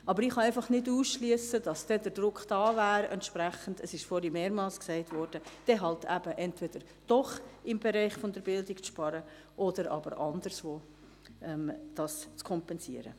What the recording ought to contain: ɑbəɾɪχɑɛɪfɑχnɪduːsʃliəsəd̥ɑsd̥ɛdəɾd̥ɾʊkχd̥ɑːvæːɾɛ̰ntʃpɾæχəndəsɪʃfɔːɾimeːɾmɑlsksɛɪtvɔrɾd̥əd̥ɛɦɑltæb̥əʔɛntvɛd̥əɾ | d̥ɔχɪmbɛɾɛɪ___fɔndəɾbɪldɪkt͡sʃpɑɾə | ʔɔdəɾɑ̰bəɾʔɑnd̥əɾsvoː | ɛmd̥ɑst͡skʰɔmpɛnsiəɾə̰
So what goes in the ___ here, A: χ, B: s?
A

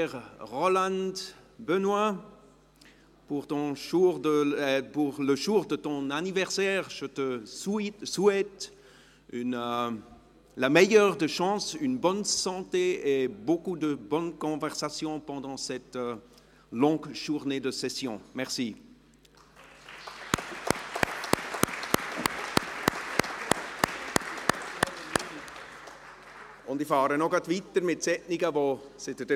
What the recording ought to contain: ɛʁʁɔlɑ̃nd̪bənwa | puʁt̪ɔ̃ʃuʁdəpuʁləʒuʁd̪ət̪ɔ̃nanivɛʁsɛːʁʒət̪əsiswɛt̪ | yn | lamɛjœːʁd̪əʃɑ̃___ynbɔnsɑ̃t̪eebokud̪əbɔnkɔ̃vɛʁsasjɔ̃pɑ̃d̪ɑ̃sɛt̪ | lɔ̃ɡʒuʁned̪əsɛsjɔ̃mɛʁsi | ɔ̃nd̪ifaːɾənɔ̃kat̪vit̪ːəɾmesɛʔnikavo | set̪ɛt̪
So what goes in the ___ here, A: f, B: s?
B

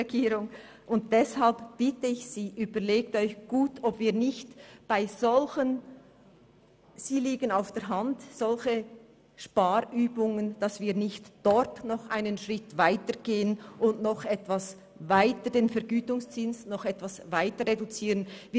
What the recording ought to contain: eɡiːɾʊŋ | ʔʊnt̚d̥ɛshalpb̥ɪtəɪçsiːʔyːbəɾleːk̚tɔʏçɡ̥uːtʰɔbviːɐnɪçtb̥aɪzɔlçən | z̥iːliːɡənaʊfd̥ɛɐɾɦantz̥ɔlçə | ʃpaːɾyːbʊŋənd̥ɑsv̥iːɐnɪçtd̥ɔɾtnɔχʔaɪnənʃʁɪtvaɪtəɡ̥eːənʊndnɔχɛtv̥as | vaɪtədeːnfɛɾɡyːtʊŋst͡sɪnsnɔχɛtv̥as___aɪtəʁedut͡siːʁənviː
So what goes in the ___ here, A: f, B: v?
B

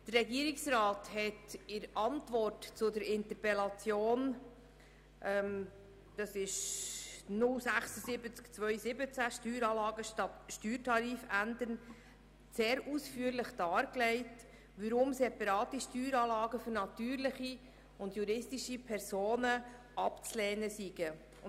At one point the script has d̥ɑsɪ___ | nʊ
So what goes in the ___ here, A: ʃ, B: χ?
A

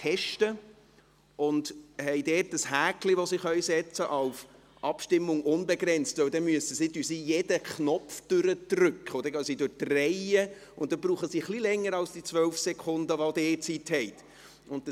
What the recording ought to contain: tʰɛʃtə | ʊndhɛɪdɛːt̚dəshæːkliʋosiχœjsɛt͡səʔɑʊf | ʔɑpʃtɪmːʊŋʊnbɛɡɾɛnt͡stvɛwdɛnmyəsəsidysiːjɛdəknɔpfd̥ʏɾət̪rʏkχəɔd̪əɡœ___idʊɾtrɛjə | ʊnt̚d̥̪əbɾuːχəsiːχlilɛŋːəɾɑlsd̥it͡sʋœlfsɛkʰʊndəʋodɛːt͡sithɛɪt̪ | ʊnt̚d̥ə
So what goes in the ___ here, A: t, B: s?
B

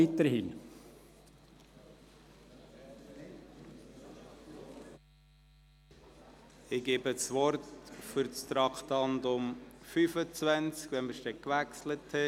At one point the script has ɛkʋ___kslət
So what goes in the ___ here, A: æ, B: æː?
A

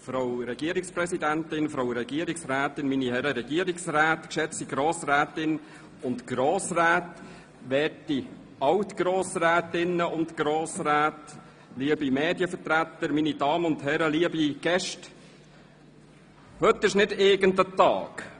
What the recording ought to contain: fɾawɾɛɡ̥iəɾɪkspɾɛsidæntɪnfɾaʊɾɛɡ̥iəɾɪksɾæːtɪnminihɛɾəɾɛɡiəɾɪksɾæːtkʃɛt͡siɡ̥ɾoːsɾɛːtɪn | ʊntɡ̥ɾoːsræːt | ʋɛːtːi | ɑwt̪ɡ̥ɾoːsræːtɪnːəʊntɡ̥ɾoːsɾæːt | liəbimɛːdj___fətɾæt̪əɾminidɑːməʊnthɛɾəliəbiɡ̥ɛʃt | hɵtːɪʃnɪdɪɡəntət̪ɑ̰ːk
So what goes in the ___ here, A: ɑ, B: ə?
B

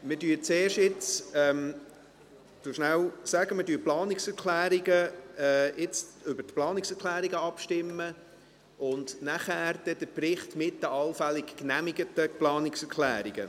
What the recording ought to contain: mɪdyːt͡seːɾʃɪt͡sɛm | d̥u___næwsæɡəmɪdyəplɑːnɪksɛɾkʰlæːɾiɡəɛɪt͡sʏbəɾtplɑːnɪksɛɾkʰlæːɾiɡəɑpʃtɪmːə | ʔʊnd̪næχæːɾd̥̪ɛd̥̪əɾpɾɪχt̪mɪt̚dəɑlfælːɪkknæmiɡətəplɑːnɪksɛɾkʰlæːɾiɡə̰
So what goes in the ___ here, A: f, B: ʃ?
B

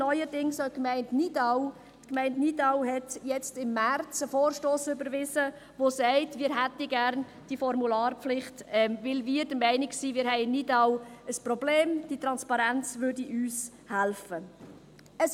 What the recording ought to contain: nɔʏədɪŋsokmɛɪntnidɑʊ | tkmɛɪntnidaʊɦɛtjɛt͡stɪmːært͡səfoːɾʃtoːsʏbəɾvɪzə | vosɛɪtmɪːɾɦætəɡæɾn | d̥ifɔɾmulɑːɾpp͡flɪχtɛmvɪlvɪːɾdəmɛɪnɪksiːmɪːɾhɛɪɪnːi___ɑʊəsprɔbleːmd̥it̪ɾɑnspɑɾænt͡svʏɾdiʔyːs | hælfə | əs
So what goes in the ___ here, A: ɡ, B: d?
B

